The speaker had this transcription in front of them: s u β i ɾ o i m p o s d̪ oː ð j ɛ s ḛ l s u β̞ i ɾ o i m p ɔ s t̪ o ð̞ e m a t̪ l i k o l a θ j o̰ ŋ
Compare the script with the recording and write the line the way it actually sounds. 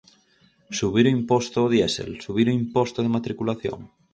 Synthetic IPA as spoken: s u β i ɾ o i m p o s t̪ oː ð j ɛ s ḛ l s u β̞ i ɾ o i m p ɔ s t̪ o ð̞ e m a t̪ ɾ i k u l a θ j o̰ ŋ